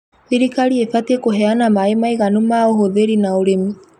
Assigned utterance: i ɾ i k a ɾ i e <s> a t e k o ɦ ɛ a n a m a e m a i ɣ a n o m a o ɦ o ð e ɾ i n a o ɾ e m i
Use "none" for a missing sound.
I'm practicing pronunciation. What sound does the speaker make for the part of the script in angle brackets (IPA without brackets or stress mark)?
f